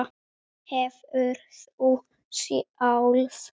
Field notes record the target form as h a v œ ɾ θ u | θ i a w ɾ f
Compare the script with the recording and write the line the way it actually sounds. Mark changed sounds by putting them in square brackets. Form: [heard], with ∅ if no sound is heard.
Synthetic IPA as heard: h [ɛ] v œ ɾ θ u | [s] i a w [l] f